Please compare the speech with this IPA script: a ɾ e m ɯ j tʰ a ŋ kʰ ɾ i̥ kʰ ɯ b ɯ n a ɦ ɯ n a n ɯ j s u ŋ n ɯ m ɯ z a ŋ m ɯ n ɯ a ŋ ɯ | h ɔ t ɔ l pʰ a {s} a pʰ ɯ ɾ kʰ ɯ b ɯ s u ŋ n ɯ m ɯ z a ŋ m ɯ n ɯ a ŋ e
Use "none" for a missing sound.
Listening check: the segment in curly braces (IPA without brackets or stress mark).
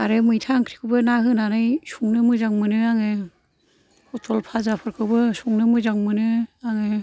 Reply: z